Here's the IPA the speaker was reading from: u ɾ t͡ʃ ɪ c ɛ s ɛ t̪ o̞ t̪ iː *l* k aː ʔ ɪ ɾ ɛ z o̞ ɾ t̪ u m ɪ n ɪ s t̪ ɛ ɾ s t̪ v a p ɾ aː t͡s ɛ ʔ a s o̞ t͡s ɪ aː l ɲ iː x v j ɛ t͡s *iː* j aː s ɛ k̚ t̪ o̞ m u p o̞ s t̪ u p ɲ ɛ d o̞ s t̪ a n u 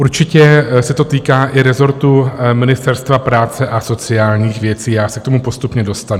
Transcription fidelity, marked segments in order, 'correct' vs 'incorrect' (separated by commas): incorrect, correct